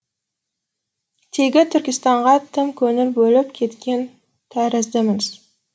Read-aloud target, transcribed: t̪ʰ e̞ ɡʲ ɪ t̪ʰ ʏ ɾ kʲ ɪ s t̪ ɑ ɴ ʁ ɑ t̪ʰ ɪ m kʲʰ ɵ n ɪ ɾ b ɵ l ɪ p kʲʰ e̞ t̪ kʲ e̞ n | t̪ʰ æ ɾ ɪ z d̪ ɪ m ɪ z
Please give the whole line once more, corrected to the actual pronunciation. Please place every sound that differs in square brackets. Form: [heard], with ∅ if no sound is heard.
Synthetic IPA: t̪ʰ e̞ ɡʲ ɪ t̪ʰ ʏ ɾ kʲ ɪ s t̪ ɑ ɴ ʁ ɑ t̪ʰ ɪ m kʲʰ ɵ n ɪ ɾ b ɵ l ɪ p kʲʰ e̞ t̪ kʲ e̞ n | t̪ʰ æ ɾ ɪ z d̪ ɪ m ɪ z

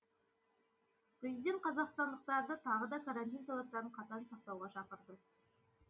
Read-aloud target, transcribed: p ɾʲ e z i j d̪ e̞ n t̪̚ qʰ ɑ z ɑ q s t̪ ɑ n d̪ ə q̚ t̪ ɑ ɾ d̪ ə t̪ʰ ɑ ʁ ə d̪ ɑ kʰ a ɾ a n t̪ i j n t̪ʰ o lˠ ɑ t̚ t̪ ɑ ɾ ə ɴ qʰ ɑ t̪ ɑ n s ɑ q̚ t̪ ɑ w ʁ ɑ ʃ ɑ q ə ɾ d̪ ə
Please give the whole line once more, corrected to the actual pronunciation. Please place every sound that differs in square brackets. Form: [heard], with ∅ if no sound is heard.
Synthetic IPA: p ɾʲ e z i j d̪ e̞ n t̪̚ qʰ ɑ z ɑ q s t̪ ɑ n d̪ ə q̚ t̪ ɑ ɾ d̪ ə t̪ʰ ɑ ʁ ə d̪ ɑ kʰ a ɾ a n t̪ i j n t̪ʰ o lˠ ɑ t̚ t̪ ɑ ɾ ə ɴ qʰ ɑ t̪ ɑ n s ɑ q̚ t̪ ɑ w ʁ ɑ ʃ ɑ q ə ɾ d̪ ə

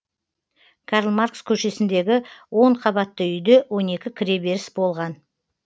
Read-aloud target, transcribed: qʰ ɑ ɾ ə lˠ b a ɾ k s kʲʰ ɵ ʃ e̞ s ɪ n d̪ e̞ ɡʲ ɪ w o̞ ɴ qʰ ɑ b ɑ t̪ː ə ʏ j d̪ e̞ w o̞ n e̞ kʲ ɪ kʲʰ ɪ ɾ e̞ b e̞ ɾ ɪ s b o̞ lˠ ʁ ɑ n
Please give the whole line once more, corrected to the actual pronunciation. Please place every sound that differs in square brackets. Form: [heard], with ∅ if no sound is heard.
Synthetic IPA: [kʰ] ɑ ɾ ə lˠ [m] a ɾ k s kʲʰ ɵ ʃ e̞ s ɪ n d̪ e̞ ɡʲ ɪ w o̞ ɴ qʰ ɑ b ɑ t̪ː ə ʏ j d̪ e̞ w o̞ n e̞ kʲ ɪ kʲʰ ɪ ɾ e̞ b e̞ ɾ ɪ s b o̞ lˠ ʁ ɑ n

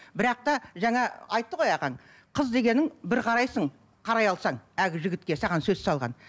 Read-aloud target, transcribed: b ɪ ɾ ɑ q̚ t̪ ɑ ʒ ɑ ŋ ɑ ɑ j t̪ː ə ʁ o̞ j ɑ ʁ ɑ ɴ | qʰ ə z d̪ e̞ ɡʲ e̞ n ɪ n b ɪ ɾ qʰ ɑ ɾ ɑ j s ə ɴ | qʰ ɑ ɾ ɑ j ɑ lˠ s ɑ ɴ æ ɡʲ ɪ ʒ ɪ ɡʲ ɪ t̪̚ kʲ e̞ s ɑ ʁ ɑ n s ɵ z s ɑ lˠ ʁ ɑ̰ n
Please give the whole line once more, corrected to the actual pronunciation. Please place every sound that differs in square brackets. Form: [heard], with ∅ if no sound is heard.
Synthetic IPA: b ɪ ɾ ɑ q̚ t̪ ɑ ʒ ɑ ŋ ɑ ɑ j t̪ː ə ʁ o̞ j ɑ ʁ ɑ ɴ | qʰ ə z d̪ e̞ ɡʲ e̞ n ɪ [ŋ] b ɪ ɾ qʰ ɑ ɾ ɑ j s ə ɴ | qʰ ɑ ɾ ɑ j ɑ lˠ s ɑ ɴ æ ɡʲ ɪ ʒ ɪ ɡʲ ɪ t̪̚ kʲ e̞ s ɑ ʁ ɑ n s ɵ z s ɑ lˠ ʁ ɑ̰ n

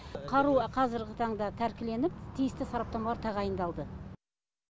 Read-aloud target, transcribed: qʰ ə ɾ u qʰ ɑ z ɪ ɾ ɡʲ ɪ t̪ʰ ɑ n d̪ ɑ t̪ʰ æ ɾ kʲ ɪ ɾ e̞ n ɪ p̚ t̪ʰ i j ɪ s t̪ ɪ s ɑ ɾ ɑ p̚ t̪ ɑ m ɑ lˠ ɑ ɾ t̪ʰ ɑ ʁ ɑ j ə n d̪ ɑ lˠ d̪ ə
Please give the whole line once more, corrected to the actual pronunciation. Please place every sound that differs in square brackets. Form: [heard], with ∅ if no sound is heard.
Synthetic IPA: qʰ [ɑ] ɾ u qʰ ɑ z ɪ ɾ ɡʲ ɪ t̪ʰ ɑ [ɴ] d̪ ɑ t̪ʰ æ ɾ kʲ ɪ [l] e̞ n ɪ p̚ t̪ʰ i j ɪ s t̪ ɪ s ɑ ɾ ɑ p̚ t̪ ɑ m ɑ lˠ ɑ ɾ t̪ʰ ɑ ʁ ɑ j ə n d̪ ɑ lˠ d̪ ə

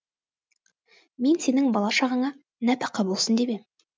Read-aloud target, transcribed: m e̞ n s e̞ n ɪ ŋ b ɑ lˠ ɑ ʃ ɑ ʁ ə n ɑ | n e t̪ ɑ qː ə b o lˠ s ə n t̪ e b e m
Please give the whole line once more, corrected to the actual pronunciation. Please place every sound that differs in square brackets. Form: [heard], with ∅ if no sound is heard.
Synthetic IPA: m e̞ n s e̞ n ɪ ŋ b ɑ lˠ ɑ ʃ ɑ ʁ ə [ɴ] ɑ | n [æ] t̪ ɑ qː [ɑ] b o lˠ s ə n [d̪] e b e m

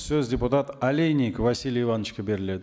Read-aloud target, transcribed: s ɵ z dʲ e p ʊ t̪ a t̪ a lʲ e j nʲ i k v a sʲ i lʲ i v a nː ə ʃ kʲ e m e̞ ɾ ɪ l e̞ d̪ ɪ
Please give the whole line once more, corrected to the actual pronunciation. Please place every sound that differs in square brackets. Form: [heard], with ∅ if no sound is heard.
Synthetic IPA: s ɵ z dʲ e p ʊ t̪ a t̪ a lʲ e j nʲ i k v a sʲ i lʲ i v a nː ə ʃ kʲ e [b] e̞ ɾ ɪ l e̞ d̪ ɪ

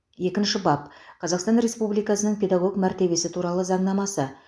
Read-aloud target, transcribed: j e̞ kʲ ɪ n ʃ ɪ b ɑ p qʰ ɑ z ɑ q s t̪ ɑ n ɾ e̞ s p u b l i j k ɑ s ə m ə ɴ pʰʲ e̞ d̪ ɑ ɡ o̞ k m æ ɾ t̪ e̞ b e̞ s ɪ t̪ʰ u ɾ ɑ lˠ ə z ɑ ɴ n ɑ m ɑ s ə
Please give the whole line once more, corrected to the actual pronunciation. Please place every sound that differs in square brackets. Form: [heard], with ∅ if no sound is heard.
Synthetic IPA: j e̞ kʲ ɪ n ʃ ɪ b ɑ p qʰ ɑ z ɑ q s t̪ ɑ n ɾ e̞ s p u b l i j k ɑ s ə [n] ə ɴ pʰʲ e̞ d̪ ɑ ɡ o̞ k m æ ɾ t̪ e̞ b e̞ s ɪ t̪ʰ u ɾ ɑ lˠ ə z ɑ ɴ n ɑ m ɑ s ə

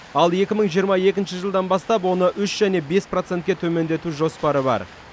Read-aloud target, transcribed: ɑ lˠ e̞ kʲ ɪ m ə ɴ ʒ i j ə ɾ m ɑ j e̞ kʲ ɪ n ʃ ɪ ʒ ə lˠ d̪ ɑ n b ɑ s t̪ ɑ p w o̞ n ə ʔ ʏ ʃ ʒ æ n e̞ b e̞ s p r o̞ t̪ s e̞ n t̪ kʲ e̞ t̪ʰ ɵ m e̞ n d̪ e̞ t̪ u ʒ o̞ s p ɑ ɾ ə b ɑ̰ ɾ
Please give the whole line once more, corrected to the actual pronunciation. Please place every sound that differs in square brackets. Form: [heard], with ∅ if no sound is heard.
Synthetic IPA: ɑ lˠ e̞ kʲ ɪ m ə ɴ ʒ i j ə ɾ m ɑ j e̞ kʲ ɪ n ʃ ɪ ʒ ə lˠ d̪ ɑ n b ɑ s t̪ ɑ p w o̞ n ə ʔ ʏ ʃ ʒ æ n e̞ b e̞ s p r o̞ t̪ s e̞ n t̪ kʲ e̞ t̪ʰ ɵ m e̞ n d̪ e̞ t̪ u ʒ o̞ s p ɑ ɾ ə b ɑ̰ ɾ

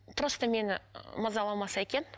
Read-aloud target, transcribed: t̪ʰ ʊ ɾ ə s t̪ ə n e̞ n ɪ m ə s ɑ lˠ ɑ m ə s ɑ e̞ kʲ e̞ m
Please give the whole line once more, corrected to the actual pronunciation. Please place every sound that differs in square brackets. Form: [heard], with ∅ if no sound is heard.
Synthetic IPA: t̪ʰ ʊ ɾ ə s t̪ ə [m] e̞ n ɪ m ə [z] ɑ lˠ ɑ m [ɑ] s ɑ e̞ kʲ e̞ [n]

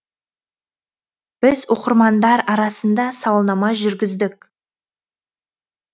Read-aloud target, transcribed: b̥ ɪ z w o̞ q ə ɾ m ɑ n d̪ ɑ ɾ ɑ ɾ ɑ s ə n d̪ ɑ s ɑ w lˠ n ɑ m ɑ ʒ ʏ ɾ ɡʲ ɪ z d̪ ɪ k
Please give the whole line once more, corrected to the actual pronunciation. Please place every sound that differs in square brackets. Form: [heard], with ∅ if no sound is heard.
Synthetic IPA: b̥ ɪ z w o̞ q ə ɾ m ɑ n d̪ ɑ ɾ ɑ ɾ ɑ s ə n d̪ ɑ s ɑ w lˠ n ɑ m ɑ ʒ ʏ ɾ ɡʲ ɪ z d̪ ɪ k

